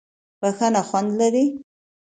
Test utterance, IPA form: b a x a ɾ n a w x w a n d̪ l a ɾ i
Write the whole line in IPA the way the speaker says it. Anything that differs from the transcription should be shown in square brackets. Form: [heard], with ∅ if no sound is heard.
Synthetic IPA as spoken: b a x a [∅] n a [∅] x w a n d̪ l a ɾ i